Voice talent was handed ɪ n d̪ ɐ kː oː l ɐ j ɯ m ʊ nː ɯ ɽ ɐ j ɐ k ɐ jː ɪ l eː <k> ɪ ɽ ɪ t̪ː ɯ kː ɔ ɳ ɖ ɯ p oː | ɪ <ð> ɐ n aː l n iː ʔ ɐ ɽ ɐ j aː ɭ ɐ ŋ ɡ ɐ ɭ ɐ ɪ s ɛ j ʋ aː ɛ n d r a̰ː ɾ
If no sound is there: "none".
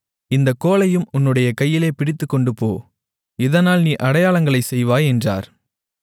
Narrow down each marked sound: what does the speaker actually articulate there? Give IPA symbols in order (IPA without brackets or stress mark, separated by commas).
p, ð